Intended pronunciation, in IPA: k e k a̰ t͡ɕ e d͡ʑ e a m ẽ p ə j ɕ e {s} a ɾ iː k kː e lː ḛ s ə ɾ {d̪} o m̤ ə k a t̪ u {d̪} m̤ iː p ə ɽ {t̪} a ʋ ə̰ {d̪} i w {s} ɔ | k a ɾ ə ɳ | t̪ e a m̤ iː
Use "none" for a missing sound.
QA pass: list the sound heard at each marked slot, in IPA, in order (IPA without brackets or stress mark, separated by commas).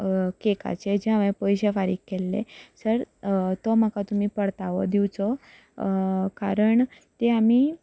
f, t̪, none, t̪, d̪, t͡s